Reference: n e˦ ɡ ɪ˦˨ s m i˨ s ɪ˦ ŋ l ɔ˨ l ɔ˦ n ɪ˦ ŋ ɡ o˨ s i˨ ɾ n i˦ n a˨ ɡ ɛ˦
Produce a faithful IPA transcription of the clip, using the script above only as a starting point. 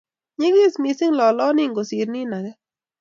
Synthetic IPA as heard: ɲ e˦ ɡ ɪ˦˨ s m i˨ s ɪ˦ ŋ l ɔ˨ l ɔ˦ n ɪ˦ ŋ ɡ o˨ s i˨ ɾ n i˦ n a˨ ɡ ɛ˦